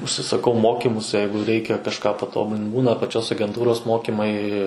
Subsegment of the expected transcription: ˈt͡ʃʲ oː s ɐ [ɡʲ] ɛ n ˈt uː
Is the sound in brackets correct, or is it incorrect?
correct